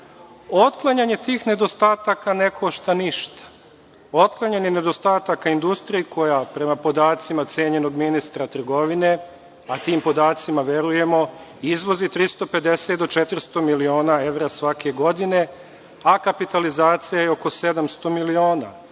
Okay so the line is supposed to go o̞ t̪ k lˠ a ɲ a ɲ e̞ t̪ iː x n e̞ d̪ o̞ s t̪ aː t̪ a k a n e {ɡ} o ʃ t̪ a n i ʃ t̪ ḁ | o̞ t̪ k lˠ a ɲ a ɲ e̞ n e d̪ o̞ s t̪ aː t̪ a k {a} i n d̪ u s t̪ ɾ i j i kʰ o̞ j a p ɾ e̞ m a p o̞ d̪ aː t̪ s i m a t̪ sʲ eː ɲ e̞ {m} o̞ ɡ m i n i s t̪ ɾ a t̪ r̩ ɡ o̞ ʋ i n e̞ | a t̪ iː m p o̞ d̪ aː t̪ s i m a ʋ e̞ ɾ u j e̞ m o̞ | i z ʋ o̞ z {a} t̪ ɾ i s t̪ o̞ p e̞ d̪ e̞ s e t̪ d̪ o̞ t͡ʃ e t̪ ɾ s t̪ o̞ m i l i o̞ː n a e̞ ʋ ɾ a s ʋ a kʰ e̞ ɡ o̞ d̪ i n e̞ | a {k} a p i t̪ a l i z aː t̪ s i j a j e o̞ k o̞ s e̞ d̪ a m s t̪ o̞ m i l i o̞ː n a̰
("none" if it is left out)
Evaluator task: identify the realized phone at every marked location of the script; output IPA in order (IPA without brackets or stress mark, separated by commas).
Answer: k, a, n, i, k